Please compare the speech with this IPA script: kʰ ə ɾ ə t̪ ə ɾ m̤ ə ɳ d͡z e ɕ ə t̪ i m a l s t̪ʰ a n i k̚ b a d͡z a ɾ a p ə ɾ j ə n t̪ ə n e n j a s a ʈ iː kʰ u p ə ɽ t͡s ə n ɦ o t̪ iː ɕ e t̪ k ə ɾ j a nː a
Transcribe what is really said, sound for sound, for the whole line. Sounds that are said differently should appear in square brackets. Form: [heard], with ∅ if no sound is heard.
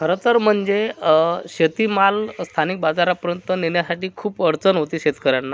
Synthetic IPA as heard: kʰ ə ɾ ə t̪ ə ɾ m̤ ə ɳ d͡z e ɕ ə t̪ i m a l s t̪ʰ a n i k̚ b a d͡z a ɾ a p ə ɾ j ə n t̪ ə n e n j a s a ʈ iː kʰ [uː] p ə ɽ t͡s ə n ɦ o t̪ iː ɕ e t̪ k ə ɾ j a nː a